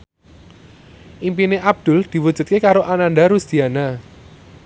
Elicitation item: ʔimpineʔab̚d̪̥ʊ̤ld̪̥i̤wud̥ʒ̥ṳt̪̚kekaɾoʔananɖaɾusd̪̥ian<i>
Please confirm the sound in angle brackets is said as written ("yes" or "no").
no